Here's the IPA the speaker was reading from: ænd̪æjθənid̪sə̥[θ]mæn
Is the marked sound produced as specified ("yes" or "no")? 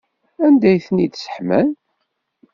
no